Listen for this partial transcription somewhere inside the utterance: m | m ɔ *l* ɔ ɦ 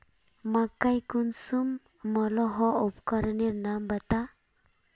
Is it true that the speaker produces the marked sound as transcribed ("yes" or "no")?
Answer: yes